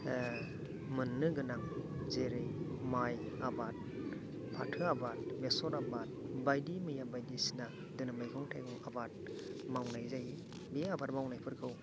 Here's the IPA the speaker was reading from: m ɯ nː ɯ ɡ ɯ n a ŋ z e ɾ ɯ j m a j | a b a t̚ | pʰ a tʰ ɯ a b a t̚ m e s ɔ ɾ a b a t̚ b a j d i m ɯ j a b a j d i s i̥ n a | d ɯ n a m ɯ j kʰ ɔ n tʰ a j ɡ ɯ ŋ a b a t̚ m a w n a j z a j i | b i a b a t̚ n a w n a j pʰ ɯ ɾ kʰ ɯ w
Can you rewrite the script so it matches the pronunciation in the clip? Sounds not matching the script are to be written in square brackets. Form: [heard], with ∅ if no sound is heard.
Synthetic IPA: m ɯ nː ɯ ɡ ɯ n a ŋ z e ɾ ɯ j m a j | a b a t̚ | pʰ a tʰ ɯ a b a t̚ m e s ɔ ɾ a b a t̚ b a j d i m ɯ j a b a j d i s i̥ n a | d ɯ n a m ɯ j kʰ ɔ [ŋ] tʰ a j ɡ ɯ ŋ a b a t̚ m a w n a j z a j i | b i a b a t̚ [m] a w n a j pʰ ɯ ɾ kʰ ɯ w

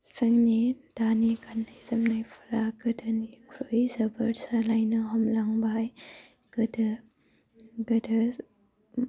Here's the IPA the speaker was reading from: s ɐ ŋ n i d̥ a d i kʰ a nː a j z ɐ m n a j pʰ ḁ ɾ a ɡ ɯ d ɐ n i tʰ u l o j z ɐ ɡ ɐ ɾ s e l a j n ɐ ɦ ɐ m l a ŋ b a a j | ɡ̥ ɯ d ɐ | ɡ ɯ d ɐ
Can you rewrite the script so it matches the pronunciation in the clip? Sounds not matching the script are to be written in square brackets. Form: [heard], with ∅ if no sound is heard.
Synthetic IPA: s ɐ ŋ n i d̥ a [n] i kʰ a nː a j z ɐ m n a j pʰ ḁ ɾ a ɡ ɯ d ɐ n i [kʰ] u [ɾ] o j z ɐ [b] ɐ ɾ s [a] l a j n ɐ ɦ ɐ m l a ŋ b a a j | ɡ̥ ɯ d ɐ | ɡ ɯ d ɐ

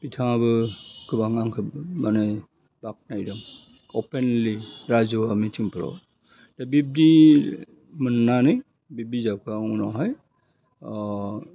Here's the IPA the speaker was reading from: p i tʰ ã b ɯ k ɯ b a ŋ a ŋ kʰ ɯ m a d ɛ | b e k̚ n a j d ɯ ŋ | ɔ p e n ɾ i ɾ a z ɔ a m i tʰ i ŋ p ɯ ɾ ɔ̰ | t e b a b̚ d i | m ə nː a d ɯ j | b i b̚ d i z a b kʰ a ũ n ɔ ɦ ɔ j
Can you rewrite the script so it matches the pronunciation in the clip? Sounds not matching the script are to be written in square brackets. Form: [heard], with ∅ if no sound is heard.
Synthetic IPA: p i tʰ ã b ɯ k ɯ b a ŋ a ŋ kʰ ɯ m a [n] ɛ | b [a] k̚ n a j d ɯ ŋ | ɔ p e n [l] i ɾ a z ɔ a m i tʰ i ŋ p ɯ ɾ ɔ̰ | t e b [i] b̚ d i | m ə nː a [n] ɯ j | b i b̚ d i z a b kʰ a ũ n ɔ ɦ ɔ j

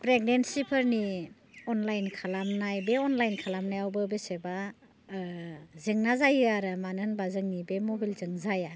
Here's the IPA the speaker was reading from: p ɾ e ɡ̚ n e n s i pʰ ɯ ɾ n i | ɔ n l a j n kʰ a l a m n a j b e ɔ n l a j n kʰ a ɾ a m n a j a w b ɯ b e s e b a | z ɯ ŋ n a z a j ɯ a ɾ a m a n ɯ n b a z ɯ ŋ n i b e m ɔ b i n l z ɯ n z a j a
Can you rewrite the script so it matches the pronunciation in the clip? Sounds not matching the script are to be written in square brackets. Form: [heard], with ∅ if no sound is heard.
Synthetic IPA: p ɾ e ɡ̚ n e n s i pʰ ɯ ɾ n i | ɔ n l a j n kʰ a l a m n a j b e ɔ n l a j n kʰ a [l] a m n a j a w b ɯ b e s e b a | z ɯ ŋ n a z a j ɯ a ɾ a m a n ɯ n b a z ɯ ŋ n i b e m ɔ b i [∅] l z ɯ [ŋ] z a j a

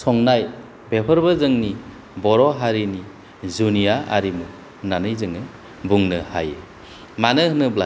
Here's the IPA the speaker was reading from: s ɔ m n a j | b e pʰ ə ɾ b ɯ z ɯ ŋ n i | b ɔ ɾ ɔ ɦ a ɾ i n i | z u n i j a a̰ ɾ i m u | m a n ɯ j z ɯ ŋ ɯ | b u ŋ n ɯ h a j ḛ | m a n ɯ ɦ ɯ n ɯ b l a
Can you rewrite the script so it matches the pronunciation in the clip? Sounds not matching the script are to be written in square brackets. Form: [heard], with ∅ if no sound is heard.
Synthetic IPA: s ɔ [ŋ] n a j | b e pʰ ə ɾ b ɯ z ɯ ŋ n i | b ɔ ɾ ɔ ɦ a ɾ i n i | z u n i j a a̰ ɾ i m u | [n] a n ɯ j z ɯ ŋ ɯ | b u ŋ n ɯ h a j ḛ | m a n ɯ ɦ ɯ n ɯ b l a

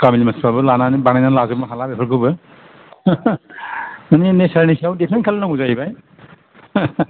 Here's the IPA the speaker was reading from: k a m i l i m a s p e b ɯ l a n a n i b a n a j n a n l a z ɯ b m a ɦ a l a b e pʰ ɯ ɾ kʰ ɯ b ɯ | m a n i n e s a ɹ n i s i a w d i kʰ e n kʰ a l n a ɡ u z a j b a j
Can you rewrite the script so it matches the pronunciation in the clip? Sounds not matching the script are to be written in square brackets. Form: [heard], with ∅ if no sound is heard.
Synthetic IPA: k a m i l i m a s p [a] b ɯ l a n a n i b a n a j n a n l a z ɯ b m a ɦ a l a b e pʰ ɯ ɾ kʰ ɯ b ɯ | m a n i n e s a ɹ n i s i a w d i [pʰ] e n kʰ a l n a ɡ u z a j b a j

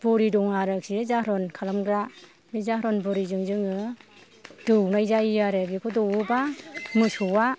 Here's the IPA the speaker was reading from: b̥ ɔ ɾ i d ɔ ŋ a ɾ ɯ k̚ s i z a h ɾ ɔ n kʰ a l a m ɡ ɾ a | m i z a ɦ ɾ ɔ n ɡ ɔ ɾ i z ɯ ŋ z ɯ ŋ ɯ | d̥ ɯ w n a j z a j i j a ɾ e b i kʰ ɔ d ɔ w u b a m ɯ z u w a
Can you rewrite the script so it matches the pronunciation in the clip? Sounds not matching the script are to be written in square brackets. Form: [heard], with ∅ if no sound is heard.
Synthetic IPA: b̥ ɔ ɾ i d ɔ ŋ a ɾ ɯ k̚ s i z a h ɾ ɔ n kʰ a l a m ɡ ɾ a | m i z a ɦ ɾ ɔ n [b] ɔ ɾ i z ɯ ŋ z ɯ ŋ ɯ | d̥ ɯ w n a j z a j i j a ɾ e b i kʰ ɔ d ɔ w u b a m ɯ [s] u w a

